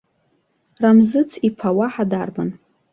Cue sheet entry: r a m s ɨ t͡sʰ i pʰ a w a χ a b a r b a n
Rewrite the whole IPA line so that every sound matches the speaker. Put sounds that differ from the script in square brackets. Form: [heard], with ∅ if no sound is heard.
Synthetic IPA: r a m [z] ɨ t͡sʰ i pʰ a w a [ħ] a [d] a r b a n